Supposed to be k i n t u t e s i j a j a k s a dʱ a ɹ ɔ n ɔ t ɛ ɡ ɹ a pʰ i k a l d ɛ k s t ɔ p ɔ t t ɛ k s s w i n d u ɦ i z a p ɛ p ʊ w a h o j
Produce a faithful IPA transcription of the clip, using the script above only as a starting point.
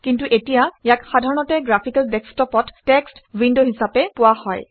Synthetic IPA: k i n t u ʔ e t i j a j a k x a dʱ a ɹ ɔ n ɔ t ɛ ɡ ɹ a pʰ i k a l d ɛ k s t ɔ p ɔ t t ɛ k s t w i n d o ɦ i s a p ɛ p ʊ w a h ɔ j